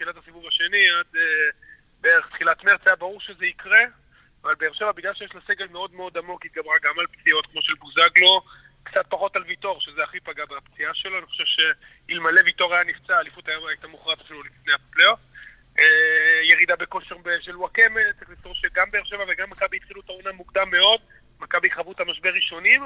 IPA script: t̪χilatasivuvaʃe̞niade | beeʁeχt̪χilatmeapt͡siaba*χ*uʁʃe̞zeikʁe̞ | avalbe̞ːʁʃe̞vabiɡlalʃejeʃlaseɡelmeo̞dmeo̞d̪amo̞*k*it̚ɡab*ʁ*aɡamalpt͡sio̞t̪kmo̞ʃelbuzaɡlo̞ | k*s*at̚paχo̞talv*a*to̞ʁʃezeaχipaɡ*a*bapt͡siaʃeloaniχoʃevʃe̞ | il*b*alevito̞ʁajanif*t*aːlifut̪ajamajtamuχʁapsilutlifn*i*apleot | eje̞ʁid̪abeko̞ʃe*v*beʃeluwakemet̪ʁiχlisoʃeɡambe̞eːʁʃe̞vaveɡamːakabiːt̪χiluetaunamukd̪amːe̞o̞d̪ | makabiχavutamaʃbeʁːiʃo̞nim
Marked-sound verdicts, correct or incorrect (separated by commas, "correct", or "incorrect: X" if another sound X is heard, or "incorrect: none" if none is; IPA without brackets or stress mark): incorrect: ʁ, correct, correct, incorrect: t͡s, incorrect: i, correct, incorrect: m, incorrect: t͡s, incorrect: e, incorrect: ʁ